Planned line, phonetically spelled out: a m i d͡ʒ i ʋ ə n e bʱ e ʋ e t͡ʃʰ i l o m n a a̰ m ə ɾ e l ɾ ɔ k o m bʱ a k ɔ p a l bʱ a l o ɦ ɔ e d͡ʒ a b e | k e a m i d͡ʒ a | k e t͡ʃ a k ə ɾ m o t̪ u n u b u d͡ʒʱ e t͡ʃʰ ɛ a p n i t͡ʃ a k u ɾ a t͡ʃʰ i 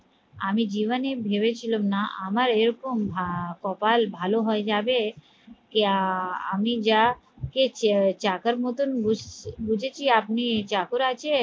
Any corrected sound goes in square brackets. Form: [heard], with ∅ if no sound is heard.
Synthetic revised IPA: a m i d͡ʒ i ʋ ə n e bʱ e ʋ e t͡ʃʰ i l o m n a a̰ m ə ɾ e [∅] ɾ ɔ k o m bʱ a k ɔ p a l bʱ a l o ɦ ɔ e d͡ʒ a b e | k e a m i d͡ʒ a | k e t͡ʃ a k ə ɾ m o t̪ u n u b u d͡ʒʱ e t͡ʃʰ [i] a p n i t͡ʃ a k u ɾ a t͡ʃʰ [e]